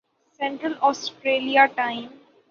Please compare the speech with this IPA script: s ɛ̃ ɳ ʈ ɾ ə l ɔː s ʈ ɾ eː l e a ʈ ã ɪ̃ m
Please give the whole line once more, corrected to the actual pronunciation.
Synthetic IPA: s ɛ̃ ɳ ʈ ɾ ə l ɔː s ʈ ɾ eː l i a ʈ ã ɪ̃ m